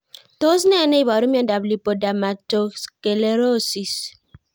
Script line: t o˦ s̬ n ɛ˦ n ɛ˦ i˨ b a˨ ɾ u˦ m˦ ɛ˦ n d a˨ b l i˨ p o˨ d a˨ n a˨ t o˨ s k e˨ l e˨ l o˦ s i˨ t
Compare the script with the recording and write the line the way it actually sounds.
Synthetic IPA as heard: t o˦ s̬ n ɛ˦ n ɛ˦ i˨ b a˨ ɾ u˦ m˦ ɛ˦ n d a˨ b l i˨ p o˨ d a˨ m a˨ t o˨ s k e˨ l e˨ ɾ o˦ s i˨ s